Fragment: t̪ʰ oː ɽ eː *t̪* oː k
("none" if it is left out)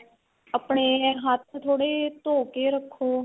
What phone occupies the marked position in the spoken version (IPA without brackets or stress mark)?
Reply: t̪